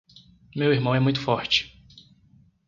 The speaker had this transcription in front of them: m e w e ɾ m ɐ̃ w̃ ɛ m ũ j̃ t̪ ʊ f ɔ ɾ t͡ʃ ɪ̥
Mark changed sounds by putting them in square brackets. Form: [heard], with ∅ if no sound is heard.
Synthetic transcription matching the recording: m e w [i] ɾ m ɐ̃ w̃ ɛ m ũ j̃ t̪ ʊ f ɔ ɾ t͡ʃ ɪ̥